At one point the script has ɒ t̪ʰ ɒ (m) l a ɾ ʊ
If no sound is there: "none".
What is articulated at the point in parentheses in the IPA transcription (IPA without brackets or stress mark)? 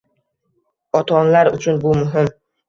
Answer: n